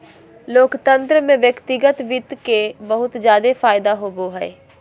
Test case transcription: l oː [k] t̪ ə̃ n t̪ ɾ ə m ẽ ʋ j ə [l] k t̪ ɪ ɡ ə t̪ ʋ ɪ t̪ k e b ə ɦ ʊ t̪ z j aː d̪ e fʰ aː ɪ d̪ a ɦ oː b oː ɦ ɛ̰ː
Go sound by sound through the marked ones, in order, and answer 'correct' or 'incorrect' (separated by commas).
correct, incorrect